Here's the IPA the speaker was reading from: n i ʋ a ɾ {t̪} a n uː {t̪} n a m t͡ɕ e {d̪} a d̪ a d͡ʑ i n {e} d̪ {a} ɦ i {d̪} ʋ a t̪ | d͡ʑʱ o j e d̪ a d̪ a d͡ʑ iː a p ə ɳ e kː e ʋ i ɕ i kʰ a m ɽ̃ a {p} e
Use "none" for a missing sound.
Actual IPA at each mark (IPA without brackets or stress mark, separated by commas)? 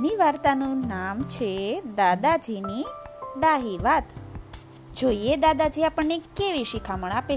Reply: t̪, none, d̪, i, a, none, p